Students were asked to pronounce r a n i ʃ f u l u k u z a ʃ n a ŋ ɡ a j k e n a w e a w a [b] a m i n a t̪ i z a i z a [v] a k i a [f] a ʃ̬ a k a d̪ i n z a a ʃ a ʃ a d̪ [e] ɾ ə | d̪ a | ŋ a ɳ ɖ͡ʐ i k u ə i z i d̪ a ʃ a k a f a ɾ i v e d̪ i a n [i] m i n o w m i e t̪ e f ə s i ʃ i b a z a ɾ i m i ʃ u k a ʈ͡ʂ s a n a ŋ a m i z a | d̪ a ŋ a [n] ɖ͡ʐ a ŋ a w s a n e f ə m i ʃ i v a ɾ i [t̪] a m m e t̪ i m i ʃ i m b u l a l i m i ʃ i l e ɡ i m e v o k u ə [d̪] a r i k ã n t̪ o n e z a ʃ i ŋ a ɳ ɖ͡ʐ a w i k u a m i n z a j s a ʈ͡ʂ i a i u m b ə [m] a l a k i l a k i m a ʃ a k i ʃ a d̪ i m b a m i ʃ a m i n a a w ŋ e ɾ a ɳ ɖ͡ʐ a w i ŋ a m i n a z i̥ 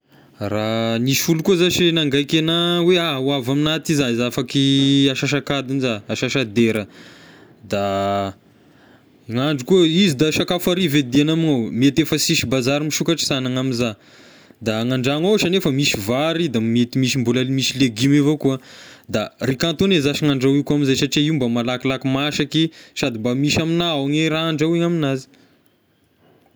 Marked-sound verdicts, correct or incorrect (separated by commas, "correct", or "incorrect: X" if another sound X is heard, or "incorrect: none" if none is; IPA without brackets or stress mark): incorrect: v, incorrect: f, incorrect: ʃ, correct, incorrect: a, incorrect: ɳ, incorrect: d̪, correct, correct